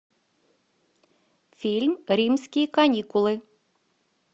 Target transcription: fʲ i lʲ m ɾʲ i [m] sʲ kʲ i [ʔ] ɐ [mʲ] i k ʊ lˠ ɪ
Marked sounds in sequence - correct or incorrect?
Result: correct, incorrect: k, incorrect: nʲ

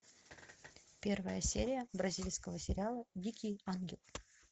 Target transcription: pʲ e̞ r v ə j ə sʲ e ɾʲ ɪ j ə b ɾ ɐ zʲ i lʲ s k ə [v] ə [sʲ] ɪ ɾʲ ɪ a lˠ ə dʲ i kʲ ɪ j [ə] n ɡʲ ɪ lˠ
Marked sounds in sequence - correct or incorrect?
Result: correct, correct, incorrect: a

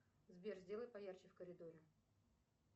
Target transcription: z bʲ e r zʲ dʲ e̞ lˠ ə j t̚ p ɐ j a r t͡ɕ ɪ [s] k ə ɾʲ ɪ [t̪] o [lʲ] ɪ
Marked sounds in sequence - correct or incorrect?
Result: incorrect: f, incorrect: d̪, incorrect: ɾʲ

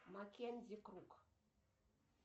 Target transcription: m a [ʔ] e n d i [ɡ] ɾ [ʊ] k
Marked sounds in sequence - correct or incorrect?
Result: incorrect: k, incorrect: k, incorrect: u

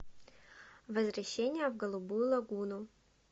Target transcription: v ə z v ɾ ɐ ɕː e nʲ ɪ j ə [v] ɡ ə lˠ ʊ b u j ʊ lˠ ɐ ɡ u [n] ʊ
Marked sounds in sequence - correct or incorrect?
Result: correct, correct

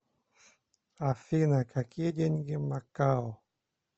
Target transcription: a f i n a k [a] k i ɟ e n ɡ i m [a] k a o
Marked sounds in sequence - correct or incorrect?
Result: correct, correct

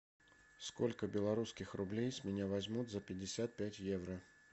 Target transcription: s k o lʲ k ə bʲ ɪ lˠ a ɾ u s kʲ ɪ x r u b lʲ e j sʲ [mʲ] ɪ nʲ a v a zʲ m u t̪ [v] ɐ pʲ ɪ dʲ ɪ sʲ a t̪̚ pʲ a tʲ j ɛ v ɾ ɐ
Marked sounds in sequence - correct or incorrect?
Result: correct, incorrect: z

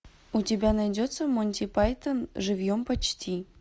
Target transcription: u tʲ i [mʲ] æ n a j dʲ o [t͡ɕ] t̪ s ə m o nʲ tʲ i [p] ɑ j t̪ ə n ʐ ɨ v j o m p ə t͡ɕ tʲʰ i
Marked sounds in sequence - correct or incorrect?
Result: incorrect: bʲ, incorrect: none, correct

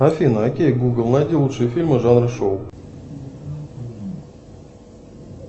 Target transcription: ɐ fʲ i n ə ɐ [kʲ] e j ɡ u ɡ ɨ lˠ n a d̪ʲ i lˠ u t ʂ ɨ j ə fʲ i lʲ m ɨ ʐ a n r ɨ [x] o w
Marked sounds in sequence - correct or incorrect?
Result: correct, incorrect: ʂ

